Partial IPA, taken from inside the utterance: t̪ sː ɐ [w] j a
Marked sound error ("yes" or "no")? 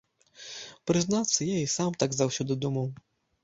yes